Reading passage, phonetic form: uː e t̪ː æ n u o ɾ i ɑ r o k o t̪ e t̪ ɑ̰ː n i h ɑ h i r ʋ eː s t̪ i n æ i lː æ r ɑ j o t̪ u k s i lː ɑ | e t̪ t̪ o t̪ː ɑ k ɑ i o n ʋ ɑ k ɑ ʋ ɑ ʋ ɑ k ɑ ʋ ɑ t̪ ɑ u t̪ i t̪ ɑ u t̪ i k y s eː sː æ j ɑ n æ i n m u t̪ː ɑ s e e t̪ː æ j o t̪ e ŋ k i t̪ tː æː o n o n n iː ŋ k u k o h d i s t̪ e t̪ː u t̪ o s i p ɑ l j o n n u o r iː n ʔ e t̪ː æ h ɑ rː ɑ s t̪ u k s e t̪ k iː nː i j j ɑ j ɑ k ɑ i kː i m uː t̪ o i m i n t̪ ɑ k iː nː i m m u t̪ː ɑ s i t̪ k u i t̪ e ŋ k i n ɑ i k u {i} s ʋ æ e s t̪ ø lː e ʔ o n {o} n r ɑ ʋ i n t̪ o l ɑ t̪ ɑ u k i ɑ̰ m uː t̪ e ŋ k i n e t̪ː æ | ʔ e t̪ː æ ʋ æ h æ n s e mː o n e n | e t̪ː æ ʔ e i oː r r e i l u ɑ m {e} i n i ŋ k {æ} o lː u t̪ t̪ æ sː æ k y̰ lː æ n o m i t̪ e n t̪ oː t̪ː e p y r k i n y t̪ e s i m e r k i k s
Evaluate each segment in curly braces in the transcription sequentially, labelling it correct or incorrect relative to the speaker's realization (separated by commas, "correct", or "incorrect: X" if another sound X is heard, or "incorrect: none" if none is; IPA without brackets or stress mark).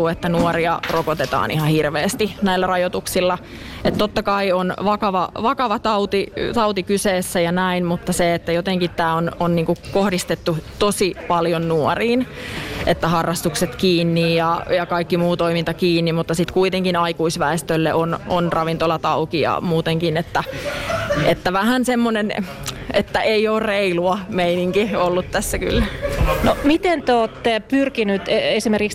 correct, correct, correct, incorrect: i